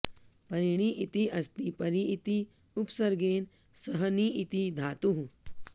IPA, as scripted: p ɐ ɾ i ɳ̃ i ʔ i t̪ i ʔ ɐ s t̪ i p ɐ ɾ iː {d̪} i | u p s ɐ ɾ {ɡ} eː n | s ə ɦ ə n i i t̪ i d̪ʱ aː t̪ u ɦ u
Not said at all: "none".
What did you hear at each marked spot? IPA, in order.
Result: t̪, ɡ

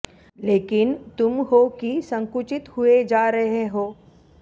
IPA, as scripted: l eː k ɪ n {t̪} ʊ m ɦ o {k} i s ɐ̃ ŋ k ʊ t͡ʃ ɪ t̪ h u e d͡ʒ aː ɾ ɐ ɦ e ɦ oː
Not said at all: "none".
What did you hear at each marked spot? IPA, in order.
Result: t̪, k

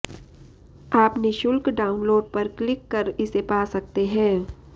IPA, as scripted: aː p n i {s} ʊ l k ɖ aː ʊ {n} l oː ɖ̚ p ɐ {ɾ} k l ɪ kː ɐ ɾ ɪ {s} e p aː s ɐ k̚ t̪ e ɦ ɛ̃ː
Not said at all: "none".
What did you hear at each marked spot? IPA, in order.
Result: ʃ, n, ɾ, s

